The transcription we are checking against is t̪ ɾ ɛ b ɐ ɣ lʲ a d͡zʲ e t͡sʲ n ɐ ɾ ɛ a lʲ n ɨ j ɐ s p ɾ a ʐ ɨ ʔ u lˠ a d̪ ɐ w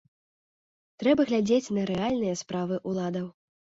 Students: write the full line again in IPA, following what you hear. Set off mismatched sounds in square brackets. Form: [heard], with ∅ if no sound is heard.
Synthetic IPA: t̪ ɾ ɛ b ɐ ɣ lʲ a d͡zʲ e t͡sʲ n ɐ ɾ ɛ a lʲ n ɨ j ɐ s p ɾ a [v] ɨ ʔ u lˠ a d̪ ɐ w